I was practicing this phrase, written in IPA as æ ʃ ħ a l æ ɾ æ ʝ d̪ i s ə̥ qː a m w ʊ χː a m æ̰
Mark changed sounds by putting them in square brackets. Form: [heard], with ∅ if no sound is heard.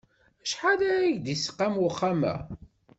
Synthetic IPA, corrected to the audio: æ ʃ ħ a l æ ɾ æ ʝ d̪ i s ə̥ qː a m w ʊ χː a m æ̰